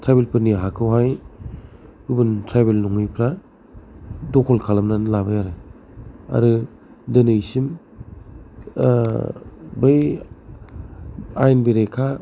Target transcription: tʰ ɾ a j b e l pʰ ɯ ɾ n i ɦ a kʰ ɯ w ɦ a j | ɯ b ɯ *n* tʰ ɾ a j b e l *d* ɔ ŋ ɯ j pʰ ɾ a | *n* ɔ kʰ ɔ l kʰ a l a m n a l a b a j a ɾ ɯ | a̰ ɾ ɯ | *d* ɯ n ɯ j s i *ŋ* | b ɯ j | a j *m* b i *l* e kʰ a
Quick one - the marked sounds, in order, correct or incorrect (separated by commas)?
correct, incorrect, incorrect, correct, incorrect, incorrect, incorrect